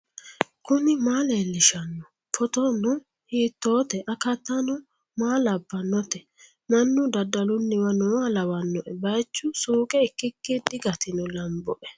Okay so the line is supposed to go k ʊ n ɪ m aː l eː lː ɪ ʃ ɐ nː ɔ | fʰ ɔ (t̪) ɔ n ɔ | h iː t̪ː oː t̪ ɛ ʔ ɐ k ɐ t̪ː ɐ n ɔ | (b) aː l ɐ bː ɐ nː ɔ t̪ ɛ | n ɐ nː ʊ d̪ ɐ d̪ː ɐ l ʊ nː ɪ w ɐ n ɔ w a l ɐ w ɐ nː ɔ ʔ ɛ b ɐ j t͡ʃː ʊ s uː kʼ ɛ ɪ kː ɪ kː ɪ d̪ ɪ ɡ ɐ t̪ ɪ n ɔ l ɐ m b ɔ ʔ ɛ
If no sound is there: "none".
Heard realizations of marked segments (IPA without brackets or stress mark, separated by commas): t̪, m